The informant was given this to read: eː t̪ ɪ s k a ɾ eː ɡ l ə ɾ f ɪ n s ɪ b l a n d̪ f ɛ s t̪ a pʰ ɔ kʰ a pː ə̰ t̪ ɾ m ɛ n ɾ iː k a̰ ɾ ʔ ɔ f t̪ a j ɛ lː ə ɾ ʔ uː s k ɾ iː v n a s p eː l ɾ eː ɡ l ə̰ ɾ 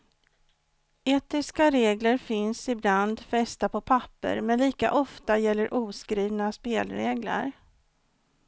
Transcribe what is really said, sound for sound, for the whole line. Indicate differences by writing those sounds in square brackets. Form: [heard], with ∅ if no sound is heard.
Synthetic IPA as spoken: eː t̪ ɪ s k a ɾ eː ɡ l ə ɾ f ɪ n s ɪ b l a n d̪ f ɛ s t̪ a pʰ ɔ [pʰ] a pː ə̰ [∅] ɾ m ɛ n [l] iː k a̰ [∅] ʔ ɔ f t̪ a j ɛ lː ə ɾ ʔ uː s k ɾ iː v n a s p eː l ɾ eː ɡ l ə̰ ɾ

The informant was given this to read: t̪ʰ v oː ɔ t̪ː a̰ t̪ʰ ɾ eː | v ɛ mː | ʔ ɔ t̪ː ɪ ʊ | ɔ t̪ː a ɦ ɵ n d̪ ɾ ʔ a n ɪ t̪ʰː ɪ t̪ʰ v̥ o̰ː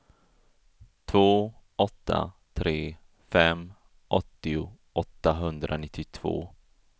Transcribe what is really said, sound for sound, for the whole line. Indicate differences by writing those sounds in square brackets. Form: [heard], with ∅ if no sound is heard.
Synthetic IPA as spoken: t̪ʰ v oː ɔ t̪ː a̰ t̪ʰ ɾ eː | [f] ɛ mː | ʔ ɔ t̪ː ɪ ʊ | ɔ t̪ː a ɦ ɵ n d̪ ɾ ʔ a n ɪ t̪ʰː ɪ t̪ʰ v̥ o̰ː

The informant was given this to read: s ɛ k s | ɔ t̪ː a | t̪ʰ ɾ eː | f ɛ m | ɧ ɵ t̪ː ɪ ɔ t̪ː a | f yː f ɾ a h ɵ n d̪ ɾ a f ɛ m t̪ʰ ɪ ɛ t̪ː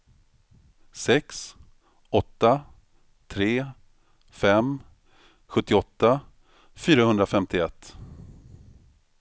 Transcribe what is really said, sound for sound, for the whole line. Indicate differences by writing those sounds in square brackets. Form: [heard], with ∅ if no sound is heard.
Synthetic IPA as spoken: s ɛ k s | ɔ t̪ː a | t̪ʰ ɾ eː | f ɛ m | ɧ ɵ t̪ː ɪ ɔ t̪ː a | f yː [∅] ɾ a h ɵ n d̪ ɾ a f ɛ m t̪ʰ ɪ ɛ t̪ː

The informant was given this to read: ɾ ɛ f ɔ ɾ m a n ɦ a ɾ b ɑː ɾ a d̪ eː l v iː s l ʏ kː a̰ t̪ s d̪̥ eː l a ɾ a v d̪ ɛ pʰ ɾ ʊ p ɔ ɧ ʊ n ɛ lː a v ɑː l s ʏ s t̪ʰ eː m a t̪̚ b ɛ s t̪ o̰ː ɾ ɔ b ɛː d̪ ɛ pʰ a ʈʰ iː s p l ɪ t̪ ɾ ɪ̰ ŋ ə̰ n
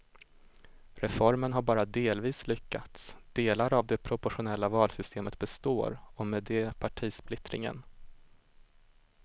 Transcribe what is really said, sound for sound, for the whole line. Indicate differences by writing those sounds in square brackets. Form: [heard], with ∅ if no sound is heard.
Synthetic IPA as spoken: ɾ ɛ f ɔ ɾ m [ə] n ɦ a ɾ b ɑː ɾ a d̪ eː l v iː s l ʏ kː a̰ t̪ s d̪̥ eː l a ɾ a v d̪ ɛ pʰ ɾ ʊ p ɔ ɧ ʊ n ɛ lː a v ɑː l s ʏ s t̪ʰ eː m [ə] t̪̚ b ɛ s t̪ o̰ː ɾ ɔ [m] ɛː d̪ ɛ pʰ a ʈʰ iː s p l ɪ t̪ ɾ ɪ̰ ŋ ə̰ n

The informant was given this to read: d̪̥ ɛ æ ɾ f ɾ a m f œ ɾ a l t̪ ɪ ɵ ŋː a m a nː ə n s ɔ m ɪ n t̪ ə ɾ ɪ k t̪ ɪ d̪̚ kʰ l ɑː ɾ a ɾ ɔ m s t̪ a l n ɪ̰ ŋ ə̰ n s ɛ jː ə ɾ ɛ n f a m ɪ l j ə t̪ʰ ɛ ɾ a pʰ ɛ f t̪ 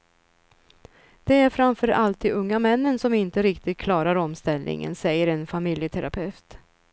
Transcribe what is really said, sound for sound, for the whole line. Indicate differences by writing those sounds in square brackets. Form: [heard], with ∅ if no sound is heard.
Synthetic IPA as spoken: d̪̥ ɛ æ ɾ f ɾ a m f œ ɾ a l t̪ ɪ ɵ ŋː a m [ɛ] nː ə n s ɔ m ɪ n t̪ ə ɾ ɪ k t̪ ɪ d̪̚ kʰ l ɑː ɾ a ɾ ɔ m s t̪ [ɛ] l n ɪ̰ ŋ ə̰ n s ɛ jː ə ɾ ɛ n f a m ɪ l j ə t̪ʰ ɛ ɾ a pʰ ɛ f t̪

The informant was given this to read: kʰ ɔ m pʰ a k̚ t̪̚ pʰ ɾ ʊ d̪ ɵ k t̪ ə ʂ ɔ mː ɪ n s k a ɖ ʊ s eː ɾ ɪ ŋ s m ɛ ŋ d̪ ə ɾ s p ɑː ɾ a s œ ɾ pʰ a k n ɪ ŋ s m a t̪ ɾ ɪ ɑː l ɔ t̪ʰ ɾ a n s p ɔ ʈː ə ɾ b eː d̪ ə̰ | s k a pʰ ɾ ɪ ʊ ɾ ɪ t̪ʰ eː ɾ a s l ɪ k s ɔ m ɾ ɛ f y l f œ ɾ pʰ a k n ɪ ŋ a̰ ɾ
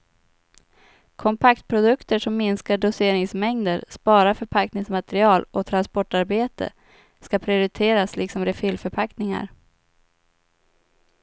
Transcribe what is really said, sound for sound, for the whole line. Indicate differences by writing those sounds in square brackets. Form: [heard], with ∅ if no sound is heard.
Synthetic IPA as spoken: kʰ ɔ m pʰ a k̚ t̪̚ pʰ ɾ ʊ d̪ ɵ k t̪ ə ʂ ɔ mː ɪ n s k a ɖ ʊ s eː ɾ ɪ ŋ s m ɛ ŋ d̪ ə ɾ s p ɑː ɾ a [f] œ ɾ pʰ a k n ɪ ŋ s m a t̪ ɾ ɪ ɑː l ɔ t̪ʰ ɾ a n s p ɔ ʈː [a] ɾ b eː [t̪] ə̰ | s k a pʰ ɾ ɪ ʊ ɾ ɪ t̪ʰ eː ɾ a s l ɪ k s ɔ m ɾ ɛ f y l f œ ɾ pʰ a k n ɪ ŋ a̰ ɾ

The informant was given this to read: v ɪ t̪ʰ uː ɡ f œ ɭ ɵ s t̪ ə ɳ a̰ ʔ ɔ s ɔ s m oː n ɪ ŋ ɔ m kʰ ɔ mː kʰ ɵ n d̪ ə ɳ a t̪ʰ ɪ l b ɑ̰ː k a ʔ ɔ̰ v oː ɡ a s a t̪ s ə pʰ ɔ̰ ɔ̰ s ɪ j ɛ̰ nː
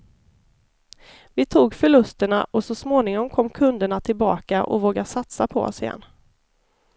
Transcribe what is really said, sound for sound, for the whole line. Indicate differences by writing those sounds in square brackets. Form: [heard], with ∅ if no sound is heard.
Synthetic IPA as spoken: v ɪ t̪ʰ uː ɡ f œ ɭ ɵ s t̪ ə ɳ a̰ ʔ ɔ s ɔ s m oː n ɪ ŋ ɔ m kʰ ɔ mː kʰ ɵ n d̪ ə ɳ a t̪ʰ ɪ l b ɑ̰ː k a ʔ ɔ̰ v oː ɡ a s a t̪ s [a] pʰ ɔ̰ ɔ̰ s ɪ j ɛ̰ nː

